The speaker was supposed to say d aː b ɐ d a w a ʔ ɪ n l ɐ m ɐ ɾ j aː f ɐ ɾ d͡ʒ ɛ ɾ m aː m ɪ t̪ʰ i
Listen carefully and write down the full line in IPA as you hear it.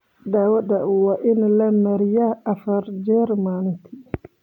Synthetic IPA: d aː w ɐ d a w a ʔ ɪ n l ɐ m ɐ ɾ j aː f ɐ ɾ d͡ʒ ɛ ɾ m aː n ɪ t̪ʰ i